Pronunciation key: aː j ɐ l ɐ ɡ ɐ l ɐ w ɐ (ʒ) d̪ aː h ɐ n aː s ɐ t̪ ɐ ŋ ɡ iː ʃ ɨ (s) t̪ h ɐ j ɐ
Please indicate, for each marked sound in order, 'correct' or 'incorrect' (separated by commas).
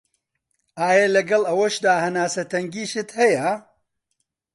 incorrect, incorrect